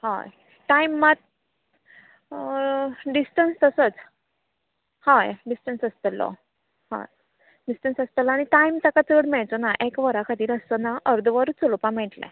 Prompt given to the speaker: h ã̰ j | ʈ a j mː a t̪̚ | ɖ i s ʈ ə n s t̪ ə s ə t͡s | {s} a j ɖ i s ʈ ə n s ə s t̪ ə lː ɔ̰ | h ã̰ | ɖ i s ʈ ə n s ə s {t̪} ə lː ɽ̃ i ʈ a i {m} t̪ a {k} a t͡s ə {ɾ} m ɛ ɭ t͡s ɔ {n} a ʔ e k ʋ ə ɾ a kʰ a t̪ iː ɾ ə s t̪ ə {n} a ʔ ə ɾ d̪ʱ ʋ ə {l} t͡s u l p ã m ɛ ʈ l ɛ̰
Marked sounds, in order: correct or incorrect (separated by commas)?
incorrect, correct, correct, correct, incorrect, correct, correct, incorrect